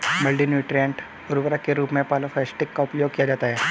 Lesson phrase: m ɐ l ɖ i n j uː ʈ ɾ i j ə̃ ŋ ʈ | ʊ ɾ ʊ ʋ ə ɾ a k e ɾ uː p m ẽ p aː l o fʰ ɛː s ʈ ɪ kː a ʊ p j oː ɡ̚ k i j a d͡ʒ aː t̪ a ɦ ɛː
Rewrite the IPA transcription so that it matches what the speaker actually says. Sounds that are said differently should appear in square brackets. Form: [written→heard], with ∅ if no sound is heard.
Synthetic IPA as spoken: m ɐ l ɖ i n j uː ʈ ɾ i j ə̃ [ŋ→ɳ] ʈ | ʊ ɾ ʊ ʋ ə ɾ a k e ɾ uː p m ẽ p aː l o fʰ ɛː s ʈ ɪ kː a ʊ p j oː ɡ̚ k i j a d͡ʒ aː t̪ a ɦ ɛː